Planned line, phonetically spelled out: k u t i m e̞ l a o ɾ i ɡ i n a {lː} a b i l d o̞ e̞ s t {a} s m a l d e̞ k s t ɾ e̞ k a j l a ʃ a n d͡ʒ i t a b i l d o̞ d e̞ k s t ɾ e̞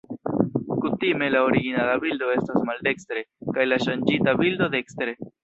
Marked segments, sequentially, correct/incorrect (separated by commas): incorrect, correct